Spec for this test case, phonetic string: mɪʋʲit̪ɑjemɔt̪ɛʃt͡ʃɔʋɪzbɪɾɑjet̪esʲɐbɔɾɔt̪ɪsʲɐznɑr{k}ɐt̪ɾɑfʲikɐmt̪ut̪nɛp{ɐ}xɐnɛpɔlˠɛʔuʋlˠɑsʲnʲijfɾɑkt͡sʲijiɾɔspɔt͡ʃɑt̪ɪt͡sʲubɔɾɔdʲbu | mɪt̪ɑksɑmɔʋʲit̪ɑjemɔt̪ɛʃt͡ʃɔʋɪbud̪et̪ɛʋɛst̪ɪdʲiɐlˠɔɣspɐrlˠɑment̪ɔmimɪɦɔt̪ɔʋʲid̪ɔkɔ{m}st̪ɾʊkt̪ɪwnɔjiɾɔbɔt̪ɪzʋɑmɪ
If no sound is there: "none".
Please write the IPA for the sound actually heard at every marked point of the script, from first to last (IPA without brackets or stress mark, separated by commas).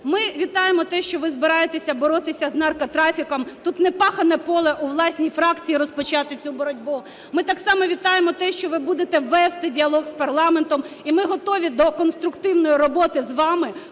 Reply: k, ɑ, n